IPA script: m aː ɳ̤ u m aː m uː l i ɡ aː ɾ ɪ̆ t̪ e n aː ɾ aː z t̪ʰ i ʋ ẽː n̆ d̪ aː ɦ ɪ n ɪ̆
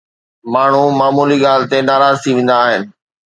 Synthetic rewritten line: m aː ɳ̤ u m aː m uː l i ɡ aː l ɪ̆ t̪ e n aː ɾ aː z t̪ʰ i ʋ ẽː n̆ d̪ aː ɦ ɪ n ɪ̆

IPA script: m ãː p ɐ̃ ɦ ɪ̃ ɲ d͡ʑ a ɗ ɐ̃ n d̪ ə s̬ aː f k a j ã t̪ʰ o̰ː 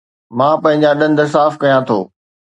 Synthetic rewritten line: m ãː p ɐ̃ ɦ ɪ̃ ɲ d͡ʑ a ɗ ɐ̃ n d̪ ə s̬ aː f k ɐ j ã t̪ʰ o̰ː

